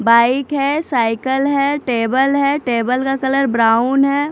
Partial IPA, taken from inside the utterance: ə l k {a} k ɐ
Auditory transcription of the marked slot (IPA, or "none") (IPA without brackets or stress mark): a